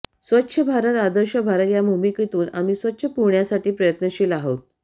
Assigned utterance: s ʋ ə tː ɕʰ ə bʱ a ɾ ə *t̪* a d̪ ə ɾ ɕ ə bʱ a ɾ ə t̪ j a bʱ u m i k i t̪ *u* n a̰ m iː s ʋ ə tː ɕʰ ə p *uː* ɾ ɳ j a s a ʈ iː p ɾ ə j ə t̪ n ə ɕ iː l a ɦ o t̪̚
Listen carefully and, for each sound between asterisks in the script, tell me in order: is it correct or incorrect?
correct, incorrect, incorrect

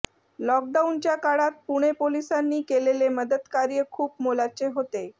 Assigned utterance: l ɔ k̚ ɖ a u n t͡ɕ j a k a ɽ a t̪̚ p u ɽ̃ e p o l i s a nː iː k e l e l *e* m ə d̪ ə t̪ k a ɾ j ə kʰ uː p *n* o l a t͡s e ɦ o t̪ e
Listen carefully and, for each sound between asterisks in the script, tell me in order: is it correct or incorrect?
correct, incorrect

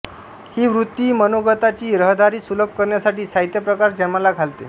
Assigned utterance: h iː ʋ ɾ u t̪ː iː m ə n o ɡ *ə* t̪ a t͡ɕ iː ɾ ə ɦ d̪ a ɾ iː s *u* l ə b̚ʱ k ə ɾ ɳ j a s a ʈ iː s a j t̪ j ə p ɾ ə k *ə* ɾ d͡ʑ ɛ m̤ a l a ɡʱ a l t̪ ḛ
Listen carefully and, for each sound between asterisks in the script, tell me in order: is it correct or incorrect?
correct, correct, incorrect

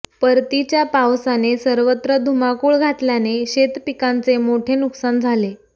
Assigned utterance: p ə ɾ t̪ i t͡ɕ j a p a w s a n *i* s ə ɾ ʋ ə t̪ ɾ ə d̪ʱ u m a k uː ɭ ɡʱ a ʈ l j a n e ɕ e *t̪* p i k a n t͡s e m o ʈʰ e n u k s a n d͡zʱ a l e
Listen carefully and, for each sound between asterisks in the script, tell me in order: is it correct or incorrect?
incorrect, correct

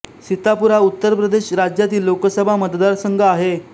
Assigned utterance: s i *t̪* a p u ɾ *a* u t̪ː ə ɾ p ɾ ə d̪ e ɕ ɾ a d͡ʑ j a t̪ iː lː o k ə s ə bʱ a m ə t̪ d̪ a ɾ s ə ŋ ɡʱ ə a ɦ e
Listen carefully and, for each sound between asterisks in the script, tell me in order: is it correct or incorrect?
correct, correct

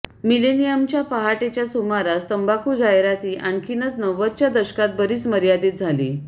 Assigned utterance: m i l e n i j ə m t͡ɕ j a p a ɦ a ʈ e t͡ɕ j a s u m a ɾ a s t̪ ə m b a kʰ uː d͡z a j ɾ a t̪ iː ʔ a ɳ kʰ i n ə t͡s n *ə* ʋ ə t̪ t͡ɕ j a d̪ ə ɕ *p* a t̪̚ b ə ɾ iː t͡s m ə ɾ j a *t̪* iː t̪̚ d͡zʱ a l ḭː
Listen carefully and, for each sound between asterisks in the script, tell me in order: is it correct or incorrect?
correct, incorrect, incorrect

